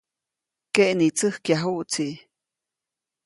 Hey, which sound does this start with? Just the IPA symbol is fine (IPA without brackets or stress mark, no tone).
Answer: k